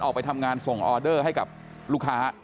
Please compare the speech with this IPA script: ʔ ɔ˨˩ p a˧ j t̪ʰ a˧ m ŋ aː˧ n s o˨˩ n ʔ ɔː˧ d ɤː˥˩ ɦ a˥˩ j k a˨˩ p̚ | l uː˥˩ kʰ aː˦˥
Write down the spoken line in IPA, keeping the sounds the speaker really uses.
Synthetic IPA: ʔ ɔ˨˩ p a˧ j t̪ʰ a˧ m ŋ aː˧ n s o˨˩ ŋ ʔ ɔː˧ d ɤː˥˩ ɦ a˥˩ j k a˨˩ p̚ | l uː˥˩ kʰ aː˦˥